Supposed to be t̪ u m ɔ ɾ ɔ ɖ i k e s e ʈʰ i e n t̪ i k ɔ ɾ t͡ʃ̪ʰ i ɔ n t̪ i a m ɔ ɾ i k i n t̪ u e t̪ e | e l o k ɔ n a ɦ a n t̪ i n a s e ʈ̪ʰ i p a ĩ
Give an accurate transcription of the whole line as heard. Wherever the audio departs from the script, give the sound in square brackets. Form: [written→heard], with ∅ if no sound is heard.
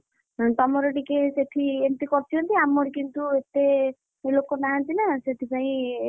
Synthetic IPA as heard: t̪ [u→ɔ] m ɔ ɾ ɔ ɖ i k e s e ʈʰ i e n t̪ i k ɔ ɾ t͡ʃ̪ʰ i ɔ n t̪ i a m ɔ ɾ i k i n t̪ u e t̪ e | e l o k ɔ n a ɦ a n t̪ i n a s e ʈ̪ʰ i p a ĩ